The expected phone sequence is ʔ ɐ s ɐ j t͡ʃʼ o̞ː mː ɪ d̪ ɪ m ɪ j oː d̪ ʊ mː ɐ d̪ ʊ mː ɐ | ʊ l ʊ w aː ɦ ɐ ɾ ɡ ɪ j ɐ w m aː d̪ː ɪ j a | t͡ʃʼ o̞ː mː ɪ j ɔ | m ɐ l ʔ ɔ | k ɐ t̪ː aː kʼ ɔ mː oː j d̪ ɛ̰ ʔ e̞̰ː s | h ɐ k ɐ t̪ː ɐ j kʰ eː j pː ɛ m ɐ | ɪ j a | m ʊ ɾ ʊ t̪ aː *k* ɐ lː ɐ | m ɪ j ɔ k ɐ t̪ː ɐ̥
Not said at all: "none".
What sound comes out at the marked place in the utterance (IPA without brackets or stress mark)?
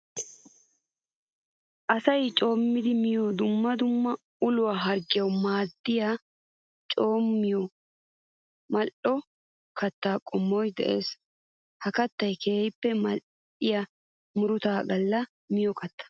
ɡ